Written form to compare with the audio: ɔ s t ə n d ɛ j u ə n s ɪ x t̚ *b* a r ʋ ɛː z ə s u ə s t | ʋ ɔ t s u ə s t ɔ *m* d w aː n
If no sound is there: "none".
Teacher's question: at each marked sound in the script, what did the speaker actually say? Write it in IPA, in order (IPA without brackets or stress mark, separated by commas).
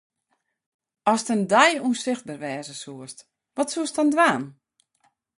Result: b, n